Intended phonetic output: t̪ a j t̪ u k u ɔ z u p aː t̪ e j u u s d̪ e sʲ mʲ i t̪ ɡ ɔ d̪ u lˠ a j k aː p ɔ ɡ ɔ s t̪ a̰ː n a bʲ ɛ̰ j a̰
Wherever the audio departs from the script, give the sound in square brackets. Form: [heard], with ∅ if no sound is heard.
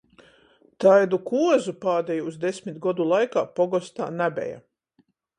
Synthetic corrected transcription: t̪ a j [d̪] u k u ɔ z u p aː [d̪] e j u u [z] d̪ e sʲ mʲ i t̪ ɡ ɔ d̪ u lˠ a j k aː p ɔ ɡ ɔ s t̪ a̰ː n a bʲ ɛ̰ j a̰